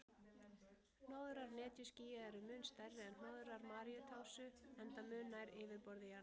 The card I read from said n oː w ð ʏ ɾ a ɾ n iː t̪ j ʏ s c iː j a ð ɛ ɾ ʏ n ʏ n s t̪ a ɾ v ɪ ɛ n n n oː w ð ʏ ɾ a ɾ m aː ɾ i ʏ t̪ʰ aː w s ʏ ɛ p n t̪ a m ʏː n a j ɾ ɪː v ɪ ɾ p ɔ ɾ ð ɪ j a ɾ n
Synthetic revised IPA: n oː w ð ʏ ɾ a ɾ n ɛː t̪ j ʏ s c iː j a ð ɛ ɾ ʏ m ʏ n s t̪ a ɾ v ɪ ɛ n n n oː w ð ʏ ɾ a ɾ m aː ɾ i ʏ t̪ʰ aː w s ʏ ɛ n t̪ a m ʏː n a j ɾ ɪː v ɪ ɾ p ɔ ɾ ð ɪ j a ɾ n